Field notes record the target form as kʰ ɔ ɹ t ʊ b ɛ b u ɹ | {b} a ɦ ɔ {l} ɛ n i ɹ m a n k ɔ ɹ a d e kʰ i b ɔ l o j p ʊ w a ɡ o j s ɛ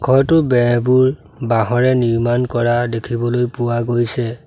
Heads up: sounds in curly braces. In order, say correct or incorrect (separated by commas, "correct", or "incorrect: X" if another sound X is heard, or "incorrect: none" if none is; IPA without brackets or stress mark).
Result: correct, incorrect: ɹ